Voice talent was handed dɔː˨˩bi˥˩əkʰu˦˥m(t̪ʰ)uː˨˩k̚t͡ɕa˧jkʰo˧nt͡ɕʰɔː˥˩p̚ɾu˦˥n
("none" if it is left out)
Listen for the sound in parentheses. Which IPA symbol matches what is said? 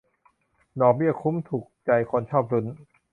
t̪ʰ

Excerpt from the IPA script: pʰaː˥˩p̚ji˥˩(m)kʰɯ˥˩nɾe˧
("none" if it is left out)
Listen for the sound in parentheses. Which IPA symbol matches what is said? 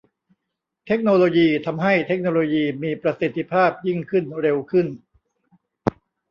ŋ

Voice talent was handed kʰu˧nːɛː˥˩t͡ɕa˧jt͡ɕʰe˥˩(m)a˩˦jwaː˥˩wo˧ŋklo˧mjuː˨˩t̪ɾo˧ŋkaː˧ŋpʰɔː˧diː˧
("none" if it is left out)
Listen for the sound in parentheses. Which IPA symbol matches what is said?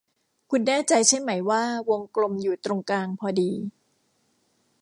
m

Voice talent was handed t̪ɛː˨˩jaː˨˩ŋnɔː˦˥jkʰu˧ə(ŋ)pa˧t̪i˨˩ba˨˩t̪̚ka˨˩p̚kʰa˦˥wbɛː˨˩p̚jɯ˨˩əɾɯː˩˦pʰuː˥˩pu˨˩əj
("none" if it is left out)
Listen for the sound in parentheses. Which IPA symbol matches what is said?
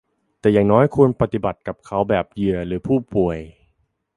n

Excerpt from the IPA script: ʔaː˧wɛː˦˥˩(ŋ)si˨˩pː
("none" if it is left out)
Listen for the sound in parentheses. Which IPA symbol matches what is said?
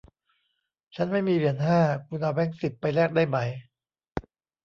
ŋ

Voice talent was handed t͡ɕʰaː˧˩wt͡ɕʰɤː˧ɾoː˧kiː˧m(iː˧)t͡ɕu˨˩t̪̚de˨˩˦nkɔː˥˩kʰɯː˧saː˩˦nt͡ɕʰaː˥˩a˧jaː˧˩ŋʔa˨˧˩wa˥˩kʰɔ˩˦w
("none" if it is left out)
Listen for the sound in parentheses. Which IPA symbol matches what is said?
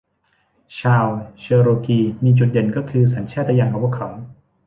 iː˧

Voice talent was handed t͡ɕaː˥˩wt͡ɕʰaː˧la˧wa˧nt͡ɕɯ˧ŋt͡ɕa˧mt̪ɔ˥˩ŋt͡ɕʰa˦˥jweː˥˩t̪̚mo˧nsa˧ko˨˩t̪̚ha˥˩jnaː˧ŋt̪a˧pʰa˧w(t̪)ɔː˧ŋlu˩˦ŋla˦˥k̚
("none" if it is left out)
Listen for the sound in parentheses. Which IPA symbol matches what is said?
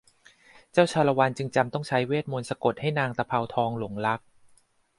t̪ʰ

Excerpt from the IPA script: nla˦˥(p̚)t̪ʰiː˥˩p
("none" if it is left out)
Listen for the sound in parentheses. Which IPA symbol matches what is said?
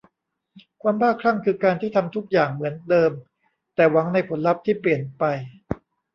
p̚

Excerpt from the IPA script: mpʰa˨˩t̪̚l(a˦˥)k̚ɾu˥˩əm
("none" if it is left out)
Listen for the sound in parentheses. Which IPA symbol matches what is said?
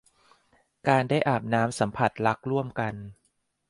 a˦˥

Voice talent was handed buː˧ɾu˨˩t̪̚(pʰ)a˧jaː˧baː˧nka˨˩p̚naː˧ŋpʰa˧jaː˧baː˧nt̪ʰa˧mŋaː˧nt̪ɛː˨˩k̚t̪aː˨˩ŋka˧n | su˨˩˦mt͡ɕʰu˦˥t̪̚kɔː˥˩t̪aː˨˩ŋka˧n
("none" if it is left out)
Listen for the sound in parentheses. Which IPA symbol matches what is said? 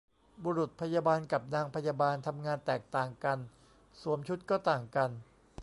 pʰ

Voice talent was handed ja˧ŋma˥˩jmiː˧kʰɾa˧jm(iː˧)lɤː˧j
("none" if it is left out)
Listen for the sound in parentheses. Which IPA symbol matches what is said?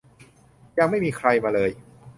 aː˧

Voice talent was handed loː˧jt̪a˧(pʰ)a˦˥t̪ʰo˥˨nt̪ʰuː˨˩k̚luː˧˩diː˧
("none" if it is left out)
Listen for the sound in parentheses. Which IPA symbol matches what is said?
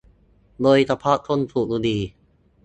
pʰ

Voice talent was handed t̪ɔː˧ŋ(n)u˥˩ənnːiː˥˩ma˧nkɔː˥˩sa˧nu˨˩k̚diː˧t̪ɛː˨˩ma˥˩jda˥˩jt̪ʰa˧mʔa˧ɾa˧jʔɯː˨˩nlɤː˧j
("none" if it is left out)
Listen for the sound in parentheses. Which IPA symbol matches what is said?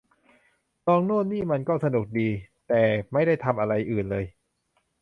n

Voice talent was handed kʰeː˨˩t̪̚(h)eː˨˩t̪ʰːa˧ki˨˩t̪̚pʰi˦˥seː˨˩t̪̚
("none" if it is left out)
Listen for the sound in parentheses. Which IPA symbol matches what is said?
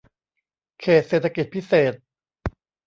s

